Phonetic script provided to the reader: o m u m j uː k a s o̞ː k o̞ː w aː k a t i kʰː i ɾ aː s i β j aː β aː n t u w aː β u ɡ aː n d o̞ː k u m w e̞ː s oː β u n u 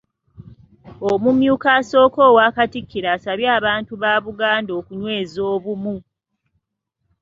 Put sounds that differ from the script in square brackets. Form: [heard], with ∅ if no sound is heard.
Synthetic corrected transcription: o m u m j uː k a s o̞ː k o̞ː w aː k a t i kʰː i ɾ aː s [a] β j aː β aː n t u [β] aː β u ɡ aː n d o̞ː k u [ɲ] w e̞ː [z] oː β u [m] u